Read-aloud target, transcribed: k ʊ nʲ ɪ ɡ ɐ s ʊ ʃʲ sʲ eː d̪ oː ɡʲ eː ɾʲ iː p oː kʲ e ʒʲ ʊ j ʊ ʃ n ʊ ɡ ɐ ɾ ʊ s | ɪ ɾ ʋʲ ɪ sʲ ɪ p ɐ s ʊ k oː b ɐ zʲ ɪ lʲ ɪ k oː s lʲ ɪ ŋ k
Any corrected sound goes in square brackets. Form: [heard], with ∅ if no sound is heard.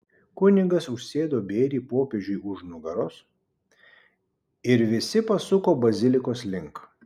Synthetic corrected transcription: k ʊ nʲ ɪ ɡ ɐ s ʊ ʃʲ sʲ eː d̪ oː [bʲ] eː ɾʲ iː p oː [pʲ] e ʒʲ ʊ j ʊ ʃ n ʊ ɡ ɐ ɾ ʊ s | ɪ ɾ ʋʲ ɪ sʲ ɪ p ɐ s ʊ k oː b ɐ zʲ ɪ lʲ ɪ k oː s lʲ ɪ ŋ k

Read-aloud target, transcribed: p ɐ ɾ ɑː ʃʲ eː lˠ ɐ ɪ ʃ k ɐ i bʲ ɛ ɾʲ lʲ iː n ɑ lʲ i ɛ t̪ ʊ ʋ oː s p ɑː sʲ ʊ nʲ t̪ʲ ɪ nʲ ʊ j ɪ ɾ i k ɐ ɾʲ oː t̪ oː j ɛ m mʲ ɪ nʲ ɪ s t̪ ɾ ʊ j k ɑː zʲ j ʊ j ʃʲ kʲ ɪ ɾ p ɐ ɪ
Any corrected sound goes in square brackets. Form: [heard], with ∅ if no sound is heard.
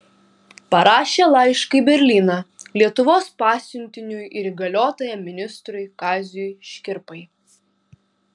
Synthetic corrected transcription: p ɐ ɾ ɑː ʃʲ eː lˠ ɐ ɪ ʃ k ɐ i bʲ ɛ ɾʲ lʲ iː n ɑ lʲ i ɛ t̪ ʊ ʋ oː s p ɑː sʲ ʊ nʲ t̪ʲ ɪ nʲ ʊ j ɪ ɾ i [ɡ] ɐ [lʲ] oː t̪ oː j ɛ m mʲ ɪ nʲ ɪ s t̪ ɾ ʊ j k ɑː zʲ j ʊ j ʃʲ kʲ ɪ ɾ p ɐ ɪ

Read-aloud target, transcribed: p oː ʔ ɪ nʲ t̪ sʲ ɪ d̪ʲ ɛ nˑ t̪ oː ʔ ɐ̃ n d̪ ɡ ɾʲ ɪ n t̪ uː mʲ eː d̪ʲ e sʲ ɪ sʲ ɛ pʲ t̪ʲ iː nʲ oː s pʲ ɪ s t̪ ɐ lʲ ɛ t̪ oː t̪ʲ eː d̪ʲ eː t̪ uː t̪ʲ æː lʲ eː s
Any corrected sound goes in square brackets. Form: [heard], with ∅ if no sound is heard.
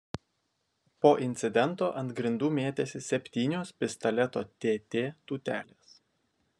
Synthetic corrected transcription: p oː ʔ ɪ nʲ t̪ sʲ ɪ d̪ʲ ɛ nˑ t̪ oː ʔ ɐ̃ n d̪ ɡ ɾʲ ɪ n [d̪] uː mʲ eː [t̪ʲ] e sʲ ɪ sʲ ɛ pʲ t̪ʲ iː nʲ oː s pʲ ɪ s t̪ ɐ lʲ ɛ t̪ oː t̪ʲ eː [t̪ʲ] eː t̪ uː t̪ʲ æː lʲ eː s

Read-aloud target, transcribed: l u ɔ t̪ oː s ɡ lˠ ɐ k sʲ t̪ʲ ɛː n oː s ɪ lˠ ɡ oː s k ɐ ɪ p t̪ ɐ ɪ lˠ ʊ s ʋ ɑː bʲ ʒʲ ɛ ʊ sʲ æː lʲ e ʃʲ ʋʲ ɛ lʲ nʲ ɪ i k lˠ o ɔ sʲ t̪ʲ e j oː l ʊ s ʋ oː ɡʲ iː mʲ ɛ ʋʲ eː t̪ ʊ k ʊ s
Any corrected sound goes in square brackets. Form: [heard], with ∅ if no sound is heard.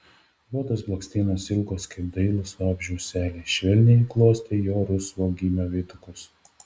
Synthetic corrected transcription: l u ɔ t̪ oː s [b] lˠ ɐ k sʲ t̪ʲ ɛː n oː s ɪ lˠ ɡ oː s k ɐ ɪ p [d̪] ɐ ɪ lˠ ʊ s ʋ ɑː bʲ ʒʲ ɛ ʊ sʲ æː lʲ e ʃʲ ʋʲ ɛ lʲ nʲ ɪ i k lˠ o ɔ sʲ t̪ʲ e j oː [ɾ] ʊ s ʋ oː ɡʲ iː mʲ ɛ ʋʲ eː t̪ ʊ k ʊ s

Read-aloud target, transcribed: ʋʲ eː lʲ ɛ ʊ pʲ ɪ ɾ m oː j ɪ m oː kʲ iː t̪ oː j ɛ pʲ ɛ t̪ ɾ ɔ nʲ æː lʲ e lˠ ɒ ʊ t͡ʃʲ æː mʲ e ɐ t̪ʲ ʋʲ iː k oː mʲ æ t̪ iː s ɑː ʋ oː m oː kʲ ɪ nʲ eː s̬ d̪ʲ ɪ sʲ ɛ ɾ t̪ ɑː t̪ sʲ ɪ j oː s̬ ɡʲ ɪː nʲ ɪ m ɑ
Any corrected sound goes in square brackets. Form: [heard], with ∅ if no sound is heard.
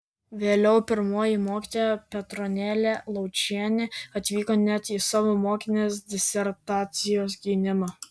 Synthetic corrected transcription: ʋʲ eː lʲ ɛ ʊ pʲ ɪ ɾ m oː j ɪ m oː kʲ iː t̪ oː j ɛ pʲ ɛ t̪ ɾ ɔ nʲ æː lʲ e lˠ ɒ ʊ t͡ʃʲ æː [nʲ] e ɐ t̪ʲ ʋʲ iː k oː [nʲ] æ t̪ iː s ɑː ʋ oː m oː kʲ ɪ nʲ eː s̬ d̪ʲ ɪ sʲ ɛ ɾ t̪ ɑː t̪ sʲ ɪ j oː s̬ ɡʲ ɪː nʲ ɪ m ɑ

